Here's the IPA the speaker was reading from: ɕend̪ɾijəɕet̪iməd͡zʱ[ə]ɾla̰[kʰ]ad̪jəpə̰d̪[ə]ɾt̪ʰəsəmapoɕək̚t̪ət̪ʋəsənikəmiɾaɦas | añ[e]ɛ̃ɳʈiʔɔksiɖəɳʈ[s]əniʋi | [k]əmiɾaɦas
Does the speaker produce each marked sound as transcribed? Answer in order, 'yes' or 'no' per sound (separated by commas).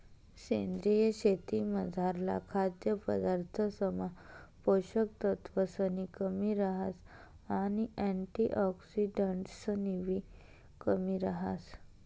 no, yes, no, no, yes, yes